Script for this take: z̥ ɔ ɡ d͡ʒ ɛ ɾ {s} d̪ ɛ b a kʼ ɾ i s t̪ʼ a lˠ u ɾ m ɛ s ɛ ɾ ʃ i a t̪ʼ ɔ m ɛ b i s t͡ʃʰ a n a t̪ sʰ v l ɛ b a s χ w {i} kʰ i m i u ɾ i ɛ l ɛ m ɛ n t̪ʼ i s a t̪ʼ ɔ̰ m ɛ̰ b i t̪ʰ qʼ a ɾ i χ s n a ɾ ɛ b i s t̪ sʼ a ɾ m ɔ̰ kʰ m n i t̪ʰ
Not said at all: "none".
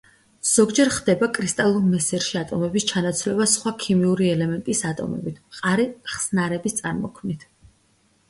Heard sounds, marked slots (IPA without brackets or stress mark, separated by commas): χ, a